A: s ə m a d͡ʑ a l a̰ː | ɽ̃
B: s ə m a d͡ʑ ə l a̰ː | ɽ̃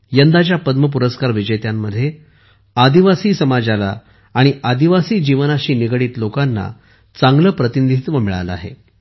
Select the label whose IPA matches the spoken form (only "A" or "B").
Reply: A